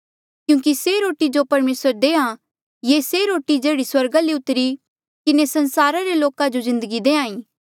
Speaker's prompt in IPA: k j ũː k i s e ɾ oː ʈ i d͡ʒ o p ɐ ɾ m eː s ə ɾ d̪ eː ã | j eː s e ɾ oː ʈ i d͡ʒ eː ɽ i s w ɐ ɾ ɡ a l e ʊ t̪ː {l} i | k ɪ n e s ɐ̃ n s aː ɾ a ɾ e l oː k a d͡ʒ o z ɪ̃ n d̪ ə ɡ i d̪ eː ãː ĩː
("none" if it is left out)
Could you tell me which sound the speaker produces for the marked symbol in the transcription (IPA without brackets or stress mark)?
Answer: ɾ